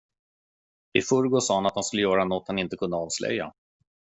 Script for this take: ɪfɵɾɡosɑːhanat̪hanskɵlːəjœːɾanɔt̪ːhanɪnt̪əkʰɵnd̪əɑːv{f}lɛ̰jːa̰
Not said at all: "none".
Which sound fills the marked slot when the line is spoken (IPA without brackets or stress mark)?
s